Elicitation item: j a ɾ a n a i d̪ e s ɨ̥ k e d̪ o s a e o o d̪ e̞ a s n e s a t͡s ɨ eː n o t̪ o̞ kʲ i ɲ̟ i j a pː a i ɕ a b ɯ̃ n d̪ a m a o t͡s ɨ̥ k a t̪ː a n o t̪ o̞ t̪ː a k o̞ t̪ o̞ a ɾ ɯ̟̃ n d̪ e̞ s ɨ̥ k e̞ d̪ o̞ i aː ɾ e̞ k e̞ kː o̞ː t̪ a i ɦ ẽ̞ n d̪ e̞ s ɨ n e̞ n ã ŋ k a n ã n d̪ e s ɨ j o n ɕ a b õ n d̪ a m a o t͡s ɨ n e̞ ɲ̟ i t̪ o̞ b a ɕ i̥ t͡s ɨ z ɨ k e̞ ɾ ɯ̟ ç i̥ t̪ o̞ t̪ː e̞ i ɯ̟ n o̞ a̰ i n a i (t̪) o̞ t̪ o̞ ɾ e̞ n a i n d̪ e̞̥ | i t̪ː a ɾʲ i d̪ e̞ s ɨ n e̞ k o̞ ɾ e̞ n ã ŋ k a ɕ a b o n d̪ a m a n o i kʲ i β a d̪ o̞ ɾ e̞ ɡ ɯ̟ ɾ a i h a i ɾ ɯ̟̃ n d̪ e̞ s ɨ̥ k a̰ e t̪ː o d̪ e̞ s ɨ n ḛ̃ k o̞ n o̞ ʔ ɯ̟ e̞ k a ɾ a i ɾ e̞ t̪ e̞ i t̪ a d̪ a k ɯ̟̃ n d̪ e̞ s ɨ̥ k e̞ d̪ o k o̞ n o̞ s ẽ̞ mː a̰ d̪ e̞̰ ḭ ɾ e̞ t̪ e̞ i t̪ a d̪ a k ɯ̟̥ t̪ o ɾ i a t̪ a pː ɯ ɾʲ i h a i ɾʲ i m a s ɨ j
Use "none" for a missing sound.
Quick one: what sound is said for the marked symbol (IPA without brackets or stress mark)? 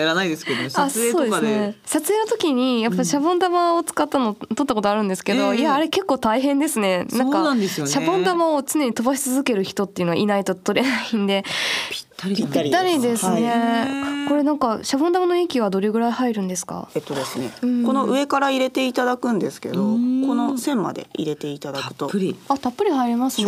t̪